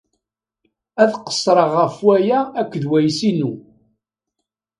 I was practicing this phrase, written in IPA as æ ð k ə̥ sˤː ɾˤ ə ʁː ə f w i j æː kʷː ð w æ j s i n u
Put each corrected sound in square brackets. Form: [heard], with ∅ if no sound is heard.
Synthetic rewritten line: æ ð [q] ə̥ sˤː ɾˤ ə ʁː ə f w [æ] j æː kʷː ð w æ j s i n u